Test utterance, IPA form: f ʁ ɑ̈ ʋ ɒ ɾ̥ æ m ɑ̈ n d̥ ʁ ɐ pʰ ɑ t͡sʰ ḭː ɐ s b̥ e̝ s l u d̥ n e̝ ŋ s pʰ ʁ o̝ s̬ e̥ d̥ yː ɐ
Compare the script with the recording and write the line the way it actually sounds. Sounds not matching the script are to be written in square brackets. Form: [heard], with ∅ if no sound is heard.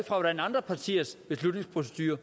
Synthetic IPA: f ʁ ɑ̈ ʋ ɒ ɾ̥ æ [n] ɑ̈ n d̥ ʁ ɐ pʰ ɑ t͡sʰ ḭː ɐ s b̥ e̝ s l u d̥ n e̝ ŋ s pʰ ʁ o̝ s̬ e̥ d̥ yː ɐ

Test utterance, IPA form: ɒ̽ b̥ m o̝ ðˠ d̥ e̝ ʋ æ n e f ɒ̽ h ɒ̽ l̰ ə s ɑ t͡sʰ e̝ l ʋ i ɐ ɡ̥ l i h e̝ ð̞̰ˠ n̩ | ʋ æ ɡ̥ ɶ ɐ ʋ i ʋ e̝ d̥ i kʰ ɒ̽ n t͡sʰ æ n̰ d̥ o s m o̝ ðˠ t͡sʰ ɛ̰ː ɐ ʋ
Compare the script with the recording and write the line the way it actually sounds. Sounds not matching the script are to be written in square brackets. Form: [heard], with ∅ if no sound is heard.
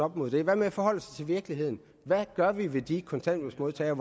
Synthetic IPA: ɒ̽ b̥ m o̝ ðˠ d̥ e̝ ʋ æ [m] e f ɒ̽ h ɒ̽ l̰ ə s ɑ t͡sʰ e̝ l ʋ i ɐ ɡ̥ l i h e̝ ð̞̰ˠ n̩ | ʋ æ ɡ̥ ɶ ɐ ʋ i ʋ e̝ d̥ i kʰ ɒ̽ n t͡sʰ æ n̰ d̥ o s m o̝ ðˠ t͡sʰ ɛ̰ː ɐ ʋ

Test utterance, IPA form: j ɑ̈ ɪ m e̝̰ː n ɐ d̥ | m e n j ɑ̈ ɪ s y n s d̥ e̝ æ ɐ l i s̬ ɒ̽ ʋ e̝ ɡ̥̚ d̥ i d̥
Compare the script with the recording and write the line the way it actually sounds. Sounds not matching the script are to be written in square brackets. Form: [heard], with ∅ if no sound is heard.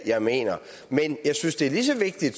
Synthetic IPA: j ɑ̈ ɪ m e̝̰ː n ɐ [∅] | m e n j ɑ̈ ɪ s y n s d̥ e̝ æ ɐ l i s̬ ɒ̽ ʋ e̝ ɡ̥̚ d̥ i d̥

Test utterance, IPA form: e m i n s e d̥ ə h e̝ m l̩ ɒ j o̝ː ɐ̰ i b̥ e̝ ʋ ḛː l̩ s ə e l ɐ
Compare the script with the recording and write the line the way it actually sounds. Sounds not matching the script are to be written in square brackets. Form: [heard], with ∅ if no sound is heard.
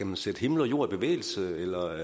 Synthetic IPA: [æ] m [æ] n s e d̥ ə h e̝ m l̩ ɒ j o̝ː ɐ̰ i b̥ e̝ ʋ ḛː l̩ s ə e l ɐ

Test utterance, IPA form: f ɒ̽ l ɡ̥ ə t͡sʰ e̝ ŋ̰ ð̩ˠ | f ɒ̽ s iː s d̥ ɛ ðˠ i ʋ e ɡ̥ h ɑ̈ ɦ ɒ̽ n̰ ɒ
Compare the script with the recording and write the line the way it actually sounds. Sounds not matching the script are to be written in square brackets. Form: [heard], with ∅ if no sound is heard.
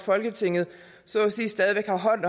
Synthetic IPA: f ɒ̽ l ɡ̥ ə t͡sʰ e̝ ŋ̰ ð̩ˠ | [s] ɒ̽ s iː s d̥ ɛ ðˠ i ʋ e ɡ̥ h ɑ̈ ɦ ɒ̽ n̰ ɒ

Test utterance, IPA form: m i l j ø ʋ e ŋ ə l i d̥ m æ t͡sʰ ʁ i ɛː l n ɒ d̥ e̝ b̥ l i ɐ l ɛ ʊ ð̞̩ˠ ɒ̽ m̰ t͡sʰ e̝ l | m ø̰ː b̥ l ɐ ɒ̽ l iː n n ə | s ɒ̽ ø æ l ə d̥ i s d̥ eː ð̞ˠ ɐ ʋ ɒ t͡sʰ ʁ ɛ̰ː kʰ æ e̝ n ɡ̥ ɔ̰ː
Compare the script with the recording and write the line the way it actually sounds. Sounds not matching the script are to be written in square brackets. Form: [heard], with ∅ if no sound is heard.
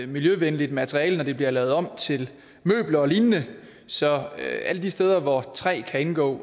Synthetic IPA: m i l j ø ʋ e [n] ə l i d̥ m æ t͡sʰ ʁ i ɛː l n ɒ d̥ e̝ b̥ l i ɐ l ɛ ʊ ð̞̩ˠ ɒ̽ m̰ t͡sʰ e̝ l | m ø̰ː b̥ l ɐ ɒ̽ l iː n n ə | s ɒ̽ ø æ l ə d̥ i s d̥ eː ð̞ˠ ɐ ʋ ɒ t͡sʰ ʁ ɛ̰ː kʰ æ e̝ n ɡ̥ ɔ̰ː

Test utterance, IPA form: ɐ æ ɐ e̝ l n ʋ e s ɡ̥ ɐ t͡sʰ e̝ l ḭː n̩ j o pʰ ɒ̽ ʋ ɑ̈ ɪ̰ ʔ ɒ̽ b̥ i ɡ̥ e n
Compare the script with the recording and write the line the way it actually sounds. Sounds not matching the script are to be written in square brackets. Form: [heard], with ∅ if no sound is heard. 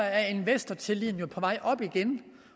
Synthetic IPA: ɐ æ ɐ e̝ [∅] n ʋ e s [d̥] ɐ t͡sʰ e̝ l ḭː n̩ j o pʰ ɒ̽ ʋ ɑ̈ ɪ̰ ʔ ɒ̽ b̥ i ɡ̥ e n

